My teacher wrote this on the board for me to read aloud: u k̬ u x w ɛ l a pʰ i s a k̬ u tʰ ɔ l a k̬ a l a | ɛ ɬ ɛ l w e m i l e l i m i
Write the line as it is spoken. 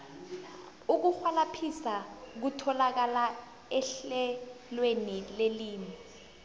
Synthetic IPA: u k̬ u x w a l a pʰ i s a k̬ u tʰ ɔ l a k̬ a l a | ɛ ɬ ɛ l w e n i l e l iː m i